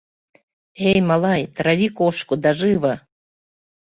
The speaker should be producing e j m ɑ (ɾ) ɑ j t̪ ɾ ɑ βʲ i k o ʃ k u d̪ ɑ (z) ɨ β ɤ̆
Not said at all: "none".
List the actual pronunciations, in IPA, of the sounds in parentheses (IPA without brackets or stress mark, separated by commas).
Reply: l, ʒ